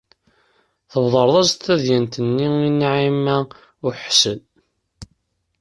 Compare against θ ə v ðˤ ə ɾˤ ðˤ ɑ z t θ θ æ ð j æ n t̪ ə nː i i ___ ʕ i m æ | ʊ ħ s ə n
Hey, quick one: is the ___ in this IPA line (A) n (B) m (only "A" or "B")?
A